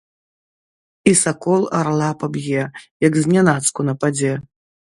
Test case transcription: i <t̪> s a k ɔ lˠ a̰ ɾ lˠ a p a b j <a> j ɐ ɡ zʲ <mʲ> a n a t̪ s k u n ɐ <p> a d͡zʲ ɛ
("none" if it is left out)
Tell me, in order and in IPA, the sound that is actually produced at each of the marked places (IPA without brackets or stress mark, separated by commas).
none, ɛ, nʲ, p